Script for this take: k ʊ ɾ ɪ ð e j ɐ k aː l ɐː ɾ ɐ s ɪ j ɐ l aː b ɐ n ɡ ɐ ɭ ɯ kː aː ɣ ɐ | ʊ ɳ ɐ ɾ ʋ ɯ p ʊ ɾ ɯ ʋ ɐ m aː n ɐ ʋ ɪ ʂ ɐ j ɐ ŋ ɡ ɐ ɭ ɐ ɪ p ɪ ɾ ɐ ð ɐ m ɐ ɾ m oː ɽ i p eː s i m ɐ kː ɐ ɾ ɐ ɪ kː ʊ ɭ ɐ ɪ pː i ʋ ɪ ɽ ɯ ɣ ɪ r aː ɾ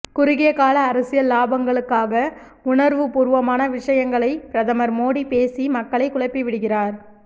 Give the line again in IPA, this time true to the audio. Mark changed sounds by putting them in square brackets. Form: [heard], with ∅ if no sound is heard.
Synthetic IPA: k ʊ ɾ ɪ [ɣ] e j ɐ k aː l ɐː ɾ ɐ s ɪ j ɐ l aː b ɐ [ŋ] ɡ ɐ ɭ ɯ kː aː ɣ ɐ | ʊ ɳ ɐ ɾ ʋ ɯ p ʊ ɾ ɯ ʋ ɐ m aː n ɐ ʋ ɪ ʂ ɐ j ɐ ŋ ɡ ɐ ɭ ɐ ɪ p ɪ ɾ ɐ ð ɐ m ɐ ɾ m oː ɽ i p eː s i m ɐ kː ɐ [ɭ] ɐ ɪ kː ʊ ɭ ɐ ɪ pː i ʋ ɪ ɽ ɯ ɣ ɪ r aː ɾ

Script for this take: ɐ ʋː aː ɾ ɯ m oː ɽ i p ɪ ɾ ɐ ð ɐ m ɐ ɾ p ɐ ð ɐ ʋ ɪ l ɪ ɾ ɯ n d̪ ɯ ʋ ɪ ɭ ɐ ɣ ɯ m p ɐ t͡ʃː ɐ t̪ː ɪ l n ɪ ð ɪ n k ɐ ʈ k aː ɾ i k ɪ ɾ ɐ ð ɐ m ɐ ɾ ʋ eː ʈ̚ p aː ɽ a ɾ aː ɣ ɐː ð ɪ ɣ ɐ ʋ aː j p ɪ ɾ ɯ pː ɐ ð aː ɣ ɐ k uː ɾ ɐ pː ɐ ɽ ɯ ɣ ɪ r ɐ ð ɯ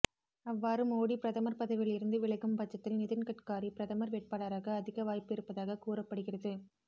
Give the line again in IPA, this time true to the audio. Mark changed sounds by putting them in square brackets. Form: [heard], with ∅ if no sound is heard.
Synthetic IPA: ɐ ʋː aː ɾ ɯ m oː ɽ i p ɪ ɾ ɐ ð ɐ m ɐ ɾ p ɐ ð ɐ ʋ ɪ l ɪ ɾ ɯ n d̪ ɯ ʋ ɪ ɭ ɐ ɣ ɯ m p ɐ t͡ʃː ɐ t̪ː ɪ l n ɪ ð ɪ n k ɐ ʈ k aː ɾ i [p] ɪ ɾ ɐ ð ɐ m ɐ ɾ ʋ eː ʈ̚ p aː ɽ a ɾ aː ɣ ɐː ð ɪ ɣ ɐ ʋ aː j p ɪ ɾ ɯ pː ɐ ð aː ɣ ɐ k uː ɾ ɐ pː ɐ ɽ ɯ ɣ ɪ r ɐ ð ɯ

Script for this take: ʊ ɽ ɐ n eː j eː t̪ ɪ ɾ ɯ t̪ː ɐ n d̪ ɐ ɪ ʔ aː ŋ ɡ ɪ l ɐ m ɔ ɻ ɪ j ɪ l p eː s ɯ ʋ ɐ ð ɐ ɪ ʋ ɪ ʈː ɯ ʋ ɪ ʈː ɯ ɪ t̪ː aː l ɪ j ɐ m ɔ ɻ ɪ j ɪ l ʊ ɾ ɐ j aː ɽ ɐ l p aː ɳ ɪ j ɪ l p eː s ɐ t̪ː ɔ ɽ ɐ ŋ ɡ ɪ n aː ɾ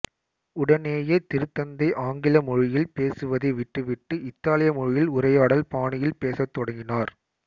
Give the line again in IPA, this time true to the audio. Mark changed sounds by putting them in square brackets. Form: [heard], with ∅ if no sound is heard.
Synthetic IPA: ʊ ɽ ɐ n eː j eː t̪ ɪ ɾ ɯ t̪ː ɐ n d̪ ɐ ɪ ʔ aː ŋ ɡ ɪ l ɐ m ɔ ɻ ɪ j ɪ l p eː s ɯ ʋ ɐ ð ɐ ɪ ʋ ɪ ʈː ɯ ʋ ɪ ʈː ɯ ɪ t̪ː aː l ɪ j ɐ m ɔ ɻ ɪ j ɪ l ʊ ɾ ɐ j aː ɽ ɐ l p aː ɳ ɪ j ɪ l p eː s ɐ t̪ː ɔ ɽ ɐ ŋ ɡ ɪ n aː ɾ

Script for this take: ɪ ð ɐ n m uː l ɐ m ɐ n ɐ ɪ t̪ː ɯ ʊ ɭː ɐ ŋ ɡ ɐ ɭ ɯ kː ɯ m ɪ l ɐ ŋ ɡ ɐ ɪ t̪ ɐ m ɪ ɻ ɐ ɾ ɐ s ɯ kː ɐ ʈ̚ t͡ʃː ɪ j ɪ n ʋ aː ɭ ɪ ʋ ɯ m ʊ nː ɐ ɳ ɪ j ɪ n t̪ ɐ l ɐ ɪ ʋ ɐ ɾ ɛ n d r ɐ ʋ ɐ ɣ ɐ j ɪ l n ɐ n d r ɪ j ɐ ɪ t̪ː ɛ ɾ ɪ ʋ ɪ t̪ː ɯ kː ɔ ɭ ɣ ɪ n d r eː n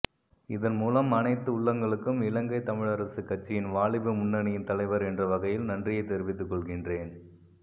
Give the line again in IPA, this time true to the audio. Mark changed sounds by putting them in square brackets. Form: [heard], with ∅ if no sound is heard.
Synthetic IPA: ɪ ð ɐ n m uː l ɐ m ɐ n ɐ ɪ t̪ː ɯ ʊ ɭː ɐ ŋ ɡ ɐ ɭ ɯ kː ɯ m ɪ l ɐ ŋ ɡ ɐ ɪ t̪ ɐ m ɪ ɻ ɐ ɾ ɐ s ɯ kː ɐ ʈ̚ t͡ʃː ɪ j ɪ n ʋ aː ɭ ɪ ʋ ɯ m ʊ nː ɐ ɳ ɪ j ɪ n t̪ ɐ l ɐ ɪ ʋ ɐ ɾ ɛ n d r ɐ ʋ ɐ ɣ ɐ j ɪ l n ɐ n d r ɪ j ɐ ɪ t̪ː ɛ ɾ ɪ ʋ ɪ t̪ː ɯ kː ɔ ɭ ɣ ɪ n d r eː n

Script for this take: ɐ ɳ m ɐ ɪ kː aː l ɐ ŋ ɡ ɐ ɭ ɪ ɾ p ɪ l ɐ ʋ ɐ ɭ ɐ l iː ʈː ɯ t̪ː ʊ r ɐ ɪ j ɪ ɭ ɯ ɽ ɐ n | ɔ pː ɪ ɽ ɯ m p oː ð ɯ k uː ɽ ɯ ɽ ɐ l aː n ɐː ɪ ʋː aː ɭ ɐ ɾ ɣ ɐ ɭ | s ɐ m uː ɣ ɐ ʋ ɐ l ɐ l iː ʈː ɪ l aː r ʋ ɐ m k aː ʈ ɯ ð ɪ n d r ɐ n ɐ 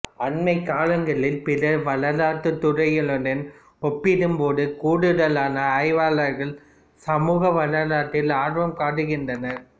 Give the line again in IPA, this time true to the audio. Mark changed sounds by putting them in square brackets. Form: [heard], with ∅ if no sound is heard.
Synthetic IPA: ɐ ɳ m ɐ ɪ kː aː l ɐ ŋ ɡ ɐ ɭ ɪ [l] p ɪ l ɐ ʋ ɐ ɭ ɐ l [aː] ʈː ɯ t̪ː ʊ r ɐ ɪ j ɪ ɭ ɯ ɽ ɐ n | ɔ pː ɪ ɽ ɯ m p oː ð ɯ k uː ɽ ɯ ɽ ɐ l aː n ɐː ɪ [ʋ] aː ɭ ɐ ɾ ɣ ɐ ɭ | s ɐ m uː ɣ ɐ ʋ ɐ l ɐ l [aː] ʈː ɪ l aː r ʋ ɐ m k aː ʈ ɯ [ɣ] ɪ n d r ɐ n ɐ

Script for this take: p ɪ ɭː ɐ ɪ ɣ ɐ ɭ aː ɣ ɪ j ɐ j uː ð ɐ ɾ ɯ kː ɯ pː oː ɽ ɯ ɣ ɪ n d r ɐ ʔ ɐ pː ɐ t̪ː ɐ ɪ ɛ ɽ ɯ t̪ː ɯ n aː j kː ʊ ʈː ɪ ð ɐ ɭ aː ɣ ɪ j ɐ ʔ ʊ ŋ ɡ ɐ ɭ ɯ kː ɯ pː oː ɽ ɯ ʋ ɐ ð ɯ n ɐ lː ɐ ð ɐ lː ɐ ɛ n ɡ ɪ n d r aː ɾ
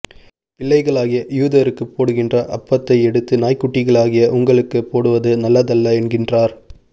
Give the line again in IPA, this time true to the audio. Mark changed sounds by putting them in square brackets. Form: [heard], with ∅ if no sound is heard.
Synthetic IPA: p ɪ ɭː ɐ ɪ ɣ ɐ ɭ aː ɣ ɪ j ɐ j uː ð ɐ ɾ ɯ kː ɯ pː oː ɽ ɯ ɣ ɪ n d r ɐ ʔ ɐ pː ɐ t̪ː ɐ ɪ ɛ ɽ ɯ t̪ː ɯ n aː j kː ʊ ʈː ɪ [ɣ] ɐ ɭ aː ɣ ɪ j ɐ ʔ ʊ ŋ ɡ ɐ ɭ ɯ kː ɯ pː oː ɽ ɯ ʋ ɐ ð ɯ n ɐ lː ɐ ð ɐ lː ɐ ɛ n ɡ ɪ n d r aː ɾ

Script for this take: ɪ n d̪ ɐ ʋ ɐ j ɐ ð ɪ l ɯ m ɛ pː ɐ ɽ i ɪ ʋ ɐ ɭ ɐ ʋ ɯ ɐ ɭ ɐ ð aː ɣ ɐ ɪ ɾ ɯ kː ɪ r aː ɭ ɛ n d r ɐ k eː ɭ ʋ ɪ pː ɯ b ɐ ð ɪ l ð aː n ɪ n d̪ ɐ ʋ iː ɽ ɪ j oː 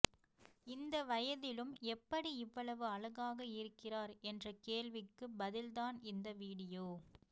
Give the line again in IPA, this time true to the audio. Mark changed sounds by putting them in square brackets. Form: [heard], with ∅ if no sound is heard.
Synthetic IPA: ɪ n d̪ ɐ ʋ ɐ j ɐ ð ɪ l ɯ m ɛ pː ɐ ɽ i ɪ [ʋː] ɐ ɭ ɐ ʋ ɯ ɐ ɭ ɐ [ɣ] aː ɣ ɐ ɪ ɾ ɯ kː ɪ r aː [ɾ] ɛ n d r ɐ k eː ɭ ʋ ɪ [kː] ɯ b ɐ ð ɪ l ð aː n ɪ n d̪ ɐ ʋ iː ɽ ɪ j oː

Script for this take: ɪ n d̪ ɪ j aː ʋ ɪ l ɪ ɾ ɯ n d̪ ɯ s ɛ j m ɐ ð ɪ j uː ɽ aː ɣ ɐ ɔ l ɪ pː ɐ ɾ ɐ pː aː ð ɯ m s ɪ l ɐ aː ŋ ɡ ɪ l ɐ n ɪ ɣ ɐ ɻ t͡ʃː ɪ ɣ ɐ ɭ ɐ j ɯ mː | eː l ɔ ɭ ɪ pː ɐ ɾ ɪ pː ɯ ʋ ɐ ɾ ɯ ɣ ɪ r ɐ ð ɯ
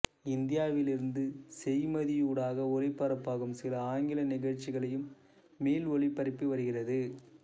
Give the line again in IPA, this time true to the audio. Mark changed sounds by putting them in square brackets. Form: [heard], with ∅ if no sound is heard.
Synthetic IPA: ɪ n d̪ ɪ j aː ʋ ɪ l ɪ ɾ ɯ n d̪ ɯ s ɛ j m ɐ ð ɪ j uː ɽ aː ɣ ɐ ɔ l ɪ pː ɐ ɾ ɐ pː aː [ɣ] ɯ m s ɪ l ɐ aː ŋ ɡ ɪ l ɐ n ɪ ɣ ɐ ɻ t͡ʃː ɪ ɣ ɐ ɭ ɐ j ɯ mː | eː l ɔ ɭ ɪ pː ɐ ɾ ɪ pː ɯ ʋ ɐ ɾ ɯ ɣ ɪ r ɐ ð ɯ

